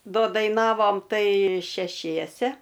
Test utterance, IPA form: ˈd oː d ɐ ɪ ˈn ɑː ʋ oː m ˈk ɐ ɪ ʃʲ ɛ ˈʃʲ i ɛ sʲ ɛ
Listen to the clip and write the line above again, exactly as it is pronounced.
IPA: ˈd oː d ɐ ɪ ˈn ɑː ʋ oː m ˈt ɐ ɪ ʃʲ ɛ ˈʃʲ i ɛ sʲ ɛ